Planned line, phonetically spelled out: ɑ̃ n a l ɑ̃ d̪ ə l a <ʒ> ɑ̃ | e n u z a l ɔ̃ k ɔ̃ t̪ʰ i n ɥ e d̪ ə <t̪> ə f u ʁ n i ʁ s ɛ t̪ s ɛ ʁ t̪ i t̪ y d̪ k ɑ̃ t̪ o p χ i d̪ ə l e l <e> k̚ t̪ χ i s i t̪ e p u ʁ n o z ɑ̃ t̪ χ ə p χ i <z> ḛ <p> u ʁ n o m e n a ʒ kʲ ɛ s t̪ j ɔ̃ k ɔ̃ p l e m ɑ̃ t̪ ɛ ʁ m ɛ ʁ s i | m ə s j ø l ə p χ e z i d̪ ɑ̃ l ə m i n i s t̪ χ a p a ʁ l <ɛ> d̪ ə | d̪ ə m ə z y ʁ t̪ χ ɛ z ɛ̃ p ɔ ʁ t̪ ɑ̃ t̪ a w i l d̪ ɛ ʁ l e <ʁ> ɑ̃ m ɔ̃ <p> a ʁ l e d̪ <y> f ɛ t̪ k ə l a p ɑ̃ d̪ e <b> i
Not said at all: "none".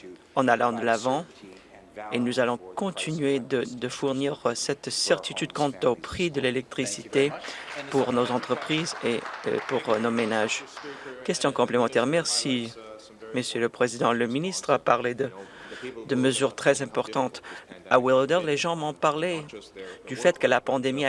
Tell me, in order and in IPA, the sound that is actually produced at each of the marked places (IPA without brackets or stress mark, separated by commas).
v, d̪, ɛ, z, p, e, ʒ, p, y, m